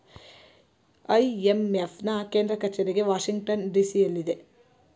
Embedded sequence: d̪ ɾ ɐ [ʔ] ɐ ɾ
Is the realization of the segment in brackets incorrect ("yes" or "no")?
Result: yes